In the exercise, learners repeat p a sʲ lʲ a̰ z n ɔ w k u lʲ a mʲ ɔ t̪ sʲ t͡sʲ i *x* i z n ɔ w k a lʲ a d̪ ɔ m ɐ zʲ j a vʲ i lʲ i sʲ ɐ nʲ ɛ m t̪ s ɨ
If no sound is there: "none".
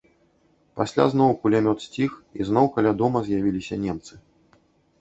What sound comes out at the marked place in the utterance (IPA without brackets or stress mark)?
x